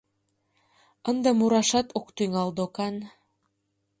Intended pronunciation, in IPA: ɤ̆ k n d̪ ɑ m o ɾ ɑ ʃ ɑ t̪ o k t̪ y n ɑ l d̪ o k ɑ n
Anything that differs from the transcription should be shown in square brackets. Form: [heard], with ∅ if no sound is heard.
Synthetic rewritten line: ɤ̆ [∅] n d̪ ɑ m [u] ɾ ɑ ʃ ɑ t̪ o k t̪ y [ŋ] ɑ l d̪ o k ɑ n